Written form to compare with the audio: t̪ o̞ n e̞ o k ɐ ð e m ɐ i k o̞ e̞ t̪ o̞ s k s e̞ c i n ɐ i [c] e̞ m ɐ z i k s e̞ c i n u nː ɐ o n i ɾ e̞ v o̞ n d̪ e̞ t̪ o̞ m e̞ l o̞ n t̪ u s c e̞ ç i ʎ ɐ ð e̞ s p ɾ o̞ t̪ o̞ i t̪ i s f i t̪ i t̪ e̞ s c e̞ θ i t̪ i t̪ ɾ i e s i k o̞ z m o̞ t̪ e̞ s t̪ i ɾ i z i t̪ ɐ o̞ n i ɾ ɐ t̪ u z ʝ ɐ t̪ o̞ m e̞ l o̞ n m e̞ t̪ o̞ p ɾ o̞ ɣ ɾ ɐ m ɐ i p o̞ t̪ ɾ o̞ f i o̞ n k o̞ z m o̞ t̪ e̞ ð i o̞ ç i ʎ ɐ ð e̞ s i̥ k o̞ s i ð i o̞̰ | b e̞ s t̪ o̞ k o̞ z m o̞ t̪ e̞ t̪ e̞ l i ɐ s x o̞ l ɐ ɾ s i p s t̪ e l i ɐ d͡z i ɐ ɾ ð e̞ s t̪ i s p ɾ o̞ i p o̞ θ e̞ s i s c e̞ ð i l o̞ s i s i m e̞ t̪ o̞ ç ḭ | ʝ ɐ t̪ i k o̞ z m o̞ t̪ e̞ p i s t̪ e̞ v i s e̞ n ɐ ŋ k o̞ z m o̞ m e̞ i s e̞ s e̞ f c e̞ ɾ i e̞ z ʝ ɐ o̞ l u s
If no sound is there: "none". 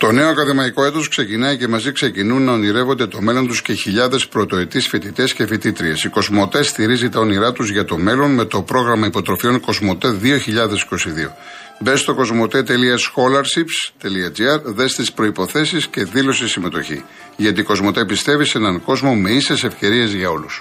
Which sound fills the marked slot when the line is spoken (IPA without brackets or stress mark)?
c